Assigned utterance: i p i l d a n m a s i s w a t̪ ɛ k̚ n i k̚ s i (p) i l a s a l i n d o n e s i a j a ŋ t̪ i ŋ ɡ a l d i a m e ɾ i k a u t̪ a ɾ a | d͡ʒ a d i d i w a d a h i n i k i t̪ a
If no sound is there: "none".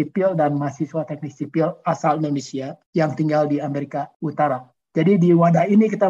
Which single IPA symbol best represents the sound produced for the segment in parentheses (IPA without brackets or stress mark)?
p